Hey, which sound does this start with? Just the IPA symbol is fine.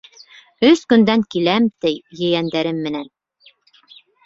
ɵ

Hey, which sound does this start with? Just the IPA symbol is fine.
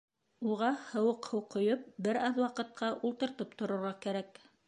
u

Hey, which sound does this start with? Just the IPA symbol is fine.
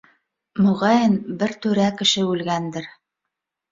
m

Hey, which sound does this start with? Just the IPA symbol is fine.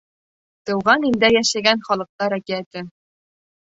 t̪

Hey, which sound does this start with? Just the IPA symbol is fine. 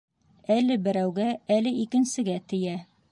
æ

